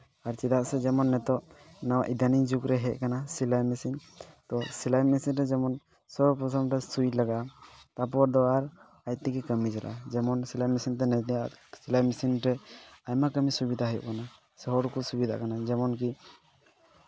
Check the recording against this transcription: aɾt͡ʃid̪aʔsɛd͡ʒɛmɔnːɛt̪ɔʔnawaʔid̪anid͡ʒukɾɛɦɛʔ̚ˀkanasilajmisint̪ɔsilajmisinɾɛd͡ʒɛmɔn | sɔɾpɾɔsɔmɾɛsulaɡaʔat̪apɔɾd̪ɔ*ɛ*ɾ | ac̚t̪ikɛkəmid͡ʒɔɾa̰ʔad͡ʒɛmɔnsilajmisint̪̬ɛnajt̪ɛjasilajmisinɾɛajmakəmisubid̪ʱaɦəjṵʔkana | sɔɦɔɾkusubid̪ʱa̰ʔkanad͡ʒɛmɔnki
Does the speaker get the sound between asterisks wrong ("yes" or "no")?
yes